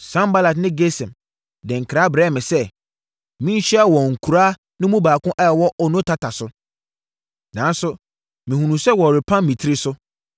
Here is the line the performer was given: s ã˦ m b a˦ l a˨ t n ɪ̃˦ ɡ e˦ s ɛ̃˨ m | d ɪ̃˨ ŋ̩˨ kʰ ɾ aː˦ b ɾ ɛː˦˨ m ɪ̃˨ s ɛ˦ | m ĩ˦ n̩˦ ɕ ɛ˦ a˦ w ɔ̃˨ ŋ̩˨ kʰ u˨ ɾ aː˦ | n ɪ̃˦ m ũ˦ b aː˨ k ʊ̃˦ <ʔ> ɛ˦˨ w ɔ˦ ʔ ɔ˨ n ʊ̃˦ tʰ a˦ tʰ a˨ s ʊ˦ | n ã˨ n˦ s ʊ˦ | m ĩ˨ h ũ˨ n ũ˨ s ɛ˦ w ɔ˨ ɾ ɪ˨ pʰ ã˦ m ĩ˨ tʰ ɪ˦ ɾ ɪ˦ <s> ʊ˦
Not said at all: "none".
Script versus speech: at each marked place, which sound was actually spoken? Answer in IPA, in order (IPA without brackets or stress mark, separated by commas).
ʔ, s